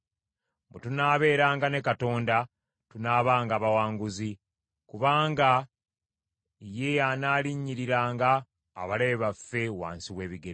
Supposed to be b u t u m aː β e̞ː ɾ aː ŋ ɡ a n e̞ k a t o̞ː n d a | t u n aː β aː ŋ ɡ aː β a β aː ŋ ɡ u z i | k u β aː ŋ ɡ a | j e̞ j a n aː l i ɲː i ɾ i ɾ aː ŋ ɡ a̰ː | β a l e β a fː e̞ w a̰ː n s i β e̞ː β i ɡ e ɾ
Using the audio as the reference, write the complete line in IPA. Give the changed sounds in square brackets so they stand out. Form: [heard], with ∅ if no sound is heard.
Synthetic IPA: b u t u [n] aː β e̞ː ɾ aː ŋ ɡ a n e̞ k a t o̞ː n d a | t u n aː β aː ŋ ɡ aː β a [w] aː ŋ ɡ u z i | k u β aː ŋ ɡ a | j e̞ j a n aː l i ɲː i ɾ i ɾ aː ŋ ɡ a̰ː | β a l e β a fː e̞ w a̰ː n s i [w] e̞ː β i ɡ e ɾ